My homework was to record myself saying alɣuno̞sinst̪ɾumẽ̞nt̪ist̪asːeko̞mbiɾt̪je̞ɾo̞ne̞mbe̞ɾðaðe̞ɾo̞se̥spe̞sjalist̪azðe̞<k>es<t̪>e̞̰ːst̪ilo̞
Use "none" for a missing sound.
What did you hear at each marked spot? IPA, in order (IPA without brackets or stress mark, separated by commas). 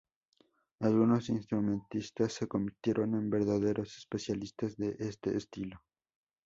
ʔ, t̪